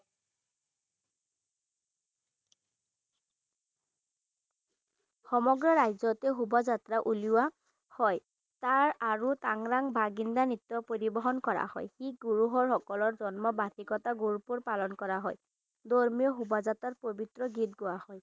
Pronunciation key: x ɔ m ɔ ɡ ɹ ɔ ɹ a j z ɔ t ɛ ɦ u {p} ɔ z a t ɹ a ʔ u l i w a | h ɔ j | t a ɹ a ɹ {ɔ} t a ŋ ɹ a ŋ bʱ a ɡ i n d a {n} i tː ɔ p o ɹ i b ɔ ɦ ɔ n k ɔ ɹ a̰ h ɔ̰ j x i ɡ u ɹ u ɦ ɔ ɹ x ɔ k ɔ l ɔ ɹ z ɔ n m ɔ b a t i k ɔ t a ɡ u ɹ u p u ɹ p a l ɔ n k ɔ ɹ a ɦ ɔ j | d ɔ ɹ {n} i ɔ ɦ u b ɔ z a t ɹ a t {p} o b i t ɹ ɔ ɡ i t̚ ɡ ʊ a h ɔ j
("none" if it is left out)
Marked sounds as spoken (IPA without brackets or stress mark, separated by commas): b, u, n, m, p